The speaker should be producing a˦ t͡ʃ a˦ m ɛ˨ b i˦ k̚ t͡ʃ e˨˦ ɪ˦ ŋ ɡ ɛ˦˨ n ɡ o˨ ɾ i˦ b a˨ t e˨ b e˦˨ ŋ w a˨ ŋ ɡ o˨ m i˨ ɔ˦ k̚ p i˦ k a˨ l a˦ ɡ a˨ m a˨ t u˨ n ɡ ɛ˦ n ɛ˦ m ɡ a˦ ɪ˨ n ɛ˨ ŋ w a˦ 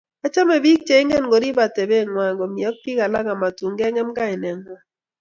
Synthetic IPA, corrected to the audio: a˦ t͡ʃ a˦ m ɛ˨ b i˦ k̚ t͡ʃ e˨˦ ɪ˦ ŋ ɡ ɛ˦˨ n ɡ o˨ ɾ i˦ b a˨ t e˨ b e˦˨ ŋ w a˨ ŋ ɡ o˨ m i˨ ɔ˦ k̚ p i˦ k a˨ l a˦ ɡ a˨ m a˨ t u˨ ŋ ɡ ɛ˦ ŋ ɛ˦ m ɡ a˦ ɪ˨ n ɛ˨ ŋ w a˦